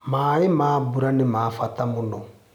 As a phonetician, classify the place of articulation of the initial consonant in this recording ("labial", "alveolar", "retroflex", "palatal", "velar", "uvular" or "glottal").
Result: labial